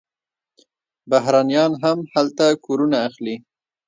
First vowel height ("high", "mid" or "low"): low